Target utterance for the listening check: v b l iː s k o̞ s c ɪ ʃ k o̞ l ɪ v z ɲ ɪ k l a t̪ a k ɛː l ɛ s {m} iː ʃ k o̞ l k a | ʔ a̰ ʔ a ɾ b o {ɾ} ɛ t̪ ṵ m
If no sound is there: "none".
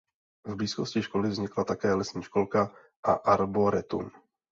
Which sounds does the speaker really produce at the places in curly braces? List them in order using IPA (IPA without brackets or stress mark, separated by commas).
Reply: ɲ, ɾ